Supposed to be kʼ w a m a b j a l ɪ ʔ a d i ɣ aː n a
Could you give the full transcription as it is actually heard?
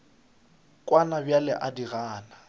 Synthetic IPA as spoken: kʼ w a n a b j a l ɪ ʔ a d i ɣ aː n a